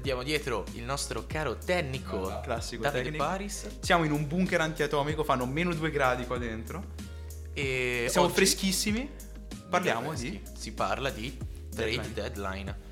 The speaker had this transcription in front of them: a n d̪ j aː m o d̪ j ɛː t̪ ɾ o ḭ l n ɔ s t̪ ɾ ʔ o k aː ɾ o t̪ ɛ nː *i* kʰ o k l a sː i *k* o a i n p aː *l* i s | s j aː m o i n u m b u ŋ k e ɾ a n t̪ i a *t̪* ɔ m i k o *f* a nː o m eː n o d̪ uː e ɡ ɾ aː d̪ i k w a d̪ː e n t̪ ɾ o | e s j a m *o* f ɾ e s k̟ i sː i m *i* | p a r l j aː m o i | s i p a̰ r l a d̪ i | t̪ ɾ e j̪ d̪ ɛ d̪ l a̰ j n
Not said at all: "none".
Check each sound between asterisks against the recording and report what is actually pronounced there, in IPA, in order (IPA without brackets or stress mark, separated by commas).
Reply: i, k, ɾ, t̪, f, o, i